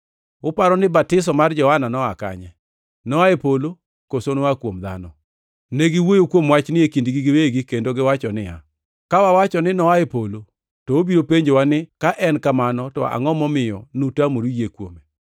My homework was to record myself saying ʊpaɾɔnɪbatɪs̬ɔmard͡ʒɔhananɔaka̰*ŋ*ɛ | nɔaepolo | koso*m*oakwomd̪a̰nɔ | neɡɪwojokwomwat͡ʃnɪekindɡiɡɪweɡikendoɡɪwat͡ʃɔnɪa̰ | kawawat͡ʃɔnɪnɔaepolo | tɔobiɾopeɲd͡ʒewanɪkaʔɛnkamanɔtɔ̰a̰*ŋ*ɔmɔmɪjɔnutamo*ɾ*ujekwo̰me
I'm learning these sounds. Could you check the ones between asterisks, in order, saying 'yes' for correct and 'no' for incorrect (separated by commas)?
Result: no, no, yes, yes